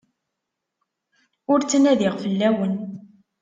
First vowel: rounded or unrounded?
rounded